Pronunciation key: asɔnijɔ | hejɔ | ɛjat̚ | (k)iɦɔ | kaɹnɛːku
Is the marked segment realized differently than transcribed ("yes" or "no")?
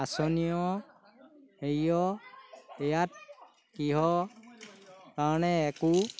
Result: no